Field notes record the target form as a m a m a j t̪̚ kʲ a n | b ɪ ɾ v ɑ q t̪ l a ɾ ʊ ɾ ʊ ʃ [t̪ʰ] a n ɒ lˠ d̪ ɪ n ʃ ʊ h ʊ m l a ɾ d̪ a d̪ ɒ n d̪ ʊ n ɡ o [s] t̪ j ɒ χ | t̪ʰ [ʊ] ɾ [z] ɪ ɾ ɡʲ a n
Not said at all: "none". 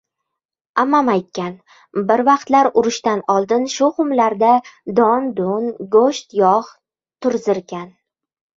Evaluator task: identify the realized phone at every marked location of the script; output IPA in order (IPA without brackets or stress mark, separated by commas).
t̪, ʃ, ʊ, z